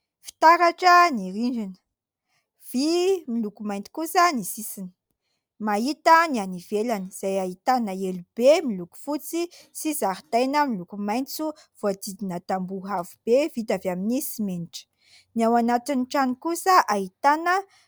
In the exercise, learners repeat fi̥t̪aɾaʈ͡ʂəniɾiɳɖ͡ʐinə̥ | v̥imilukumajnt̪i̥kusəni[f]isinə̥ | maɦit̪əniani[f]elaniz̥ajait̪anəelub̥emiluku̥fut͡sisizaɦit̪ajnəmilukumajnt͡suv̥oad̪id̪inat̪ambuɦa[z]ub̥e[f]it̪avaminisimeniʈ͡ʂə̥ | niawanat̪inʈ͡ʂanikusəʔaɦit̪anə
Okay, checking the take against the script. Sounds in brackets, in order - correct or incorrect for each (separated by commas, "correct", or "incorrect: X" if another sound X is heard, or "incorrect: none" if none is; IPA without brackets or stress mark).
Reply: incorrect: s, incorrect: v, incorrect: v, incorrect: v